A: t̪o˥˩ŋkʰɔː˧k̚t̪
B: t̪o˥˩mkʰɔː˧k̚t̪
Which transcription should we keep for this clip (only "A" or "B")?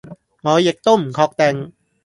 B